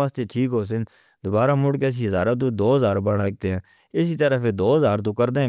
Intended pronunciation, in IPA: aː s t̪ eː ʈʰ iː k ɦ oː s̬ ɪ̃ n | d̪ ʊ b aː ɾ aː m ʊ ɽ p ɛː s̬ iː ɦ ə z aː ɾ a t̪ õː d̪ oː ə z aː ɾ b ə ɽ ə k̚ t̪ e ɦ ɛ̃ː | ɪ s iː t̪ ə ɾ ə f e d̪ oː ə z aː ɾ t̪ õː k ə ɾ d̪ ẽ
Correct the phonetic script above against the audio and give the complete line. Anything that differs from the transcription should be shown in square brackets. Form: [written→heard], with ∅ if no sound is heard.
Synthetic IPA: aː s t̪ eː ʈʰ iː k ɦ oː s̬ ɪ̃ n | d̪ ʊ b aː ɾ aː m ʊ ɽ [p→k] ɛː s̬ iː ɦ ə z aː ɾ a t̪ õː d̪ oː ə z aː ɾ b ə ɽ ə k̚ t̪ e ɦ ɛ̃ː | ɪ s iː t̪ ə ɾ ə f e d̪ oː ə z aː ɾ t̪ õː k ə ɾ d̪ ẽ